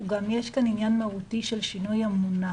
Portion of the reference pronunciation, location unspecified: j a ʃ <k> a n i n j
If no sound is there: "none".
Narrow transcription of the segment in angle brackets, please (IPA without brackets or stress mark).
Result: k